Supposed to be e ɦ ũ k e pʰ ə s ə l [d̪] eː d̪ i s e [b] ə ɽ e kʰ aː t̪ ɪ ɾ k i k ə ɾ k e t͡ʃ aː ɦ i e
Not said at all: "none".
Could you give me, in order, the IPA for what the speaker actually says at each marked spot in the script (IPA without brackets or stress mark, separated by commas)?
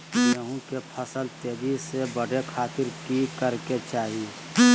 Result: t̪, b